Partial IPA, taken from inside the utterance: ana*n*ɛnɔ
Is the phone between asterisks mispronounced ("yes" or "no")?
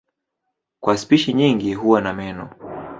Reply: yes